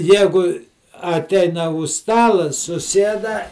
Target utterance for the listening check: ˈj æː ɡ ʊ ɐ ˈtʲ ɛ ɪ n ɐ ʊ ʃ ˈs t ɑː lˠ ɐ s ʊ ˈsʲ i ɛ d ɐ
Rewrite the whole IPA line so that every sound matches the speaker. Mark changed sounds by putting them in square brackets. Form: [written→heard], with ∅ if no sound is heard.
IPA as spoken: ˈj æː ɡ ʊ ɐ ˈtʲ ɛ ɪ n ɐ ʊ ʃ ˈs t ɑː lˠ ɐ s ʊ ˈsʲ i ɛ d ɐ